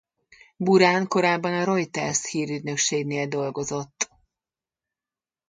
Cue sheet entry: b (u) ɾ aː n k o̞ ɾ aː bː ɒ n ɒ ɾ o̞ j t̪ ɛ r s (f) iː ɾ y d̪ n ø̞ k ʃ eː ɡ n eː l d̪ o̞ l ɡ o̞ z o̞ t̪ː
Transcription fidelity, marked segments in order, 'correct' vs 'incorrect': correct, incorrect

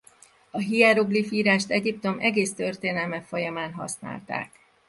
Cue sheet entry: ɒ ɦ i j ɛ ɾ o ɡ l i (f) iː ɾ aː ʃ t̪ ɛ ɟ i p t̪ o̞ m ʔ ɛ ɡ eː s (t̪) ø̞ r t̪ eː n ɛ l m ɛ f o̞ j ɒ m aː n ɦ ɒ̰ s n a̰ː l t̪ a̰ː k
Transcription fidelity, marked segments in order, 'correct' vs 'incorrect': correct, correct

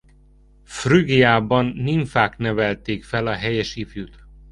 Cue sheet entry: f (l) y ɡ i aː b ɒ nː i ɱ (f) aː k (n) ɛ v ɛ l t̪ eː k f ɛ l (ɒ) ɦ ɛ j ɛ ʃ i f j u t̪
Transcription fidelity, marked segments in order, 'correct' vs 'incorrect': incorrect, correct, correct, correct

